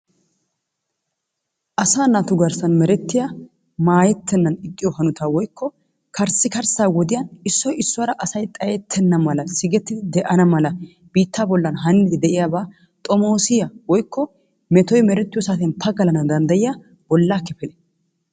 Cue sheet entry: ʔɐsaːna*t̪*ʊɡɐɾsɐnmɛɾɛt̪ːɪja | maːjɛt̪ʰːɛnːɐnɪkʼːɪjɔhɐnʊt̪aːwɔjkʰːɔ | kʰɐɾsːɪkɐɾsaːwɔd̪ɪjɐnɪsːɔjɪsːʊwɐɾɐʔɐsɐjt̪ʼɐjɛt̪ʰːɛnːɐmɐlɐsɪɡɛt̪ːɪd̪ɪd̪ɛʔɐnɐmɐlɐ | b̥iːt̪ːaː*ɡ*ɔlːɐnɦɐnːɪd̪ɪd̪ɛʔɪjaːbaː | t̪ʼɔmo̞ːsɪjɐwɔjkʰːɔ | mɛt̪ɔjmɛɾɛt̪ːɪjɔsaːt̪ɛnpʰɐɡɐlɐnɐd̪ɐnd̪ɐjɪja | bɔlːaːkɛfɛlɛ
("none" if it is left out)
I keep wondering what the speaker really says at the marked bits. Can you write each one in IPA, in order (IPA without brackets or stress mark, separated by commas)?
t̪, b